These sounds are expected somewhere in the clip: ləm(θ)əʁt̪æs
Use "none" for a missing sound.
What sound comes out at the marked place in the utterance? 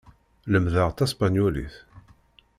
ð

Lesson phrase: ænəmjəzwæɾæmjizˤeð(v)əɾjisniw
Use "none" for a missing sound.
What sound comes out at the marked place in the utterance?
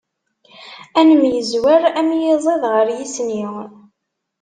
ʁ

